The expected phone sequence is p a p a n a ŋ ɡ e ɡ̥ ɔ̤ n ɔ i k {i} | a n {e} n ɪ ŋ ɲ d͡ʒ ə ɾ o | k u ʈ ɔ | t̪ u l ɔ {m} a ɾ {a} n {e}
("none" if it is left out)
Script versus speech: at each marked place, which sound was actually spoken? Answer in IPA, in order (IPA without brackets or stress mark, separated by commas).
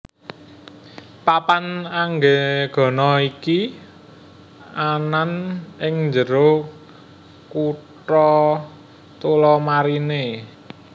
i, a, m, i, e